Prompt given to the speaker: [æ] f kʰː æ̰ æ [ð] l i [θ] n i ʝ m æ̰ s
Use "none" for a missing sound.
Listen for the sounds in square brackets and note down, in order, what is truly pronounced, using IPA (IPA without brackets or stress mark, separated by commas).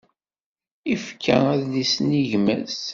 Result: i, ð, s